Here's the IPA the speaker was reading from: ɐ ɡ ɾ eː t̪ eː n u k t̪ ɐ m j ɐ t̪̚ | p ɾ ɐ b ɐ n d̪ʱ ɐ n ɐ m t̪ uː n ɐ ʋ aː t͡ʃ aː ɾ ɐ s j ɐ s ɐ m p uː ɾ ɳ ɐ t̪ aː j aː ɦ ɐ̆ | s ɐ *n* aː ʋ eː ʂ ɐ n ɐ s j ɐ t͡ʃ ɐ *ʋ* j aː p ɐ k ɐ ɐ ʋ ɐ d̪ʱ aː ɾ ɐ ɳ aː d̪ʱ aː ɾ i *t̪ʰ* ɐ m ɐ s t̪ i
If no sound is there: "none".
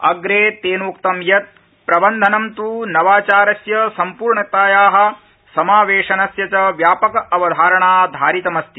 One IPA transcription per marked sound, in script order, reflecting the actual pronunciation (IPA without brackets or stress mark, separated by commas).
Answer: m, ʋ, t̪